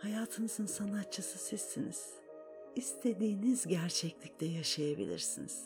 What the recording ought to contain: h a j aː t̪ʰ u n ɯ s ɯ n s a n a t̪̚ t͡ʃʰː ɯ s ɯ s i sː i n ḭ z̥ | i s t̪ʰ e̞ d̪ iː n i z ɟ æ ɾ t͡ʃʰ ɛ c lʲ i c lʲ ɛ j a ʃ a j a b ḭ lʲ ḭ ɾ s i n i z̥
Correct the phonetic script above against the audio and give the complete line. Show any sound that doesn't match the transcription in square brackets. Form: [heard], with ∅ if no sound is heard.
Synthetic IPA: h a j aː t̪ʰ [ɯ] n ɯ [z] ɯ n s a n a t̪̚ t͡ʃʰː ɯ s ɯ s i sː i n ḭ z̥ | i s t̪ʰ e̞ d̪ iː n i z ɟ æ ɾ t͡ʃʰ ɛ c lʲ i c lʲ ɛ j a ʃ a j a b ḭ lʲ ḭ ɾ s i n i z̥